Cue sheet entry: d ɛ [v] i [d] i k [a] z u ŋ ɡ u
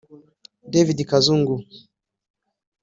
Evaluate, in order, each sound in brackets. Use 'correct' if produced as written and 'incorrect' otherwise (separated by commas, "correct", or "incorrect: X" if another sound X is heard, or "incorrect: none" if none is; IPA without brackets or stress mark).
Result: correct, correct, correct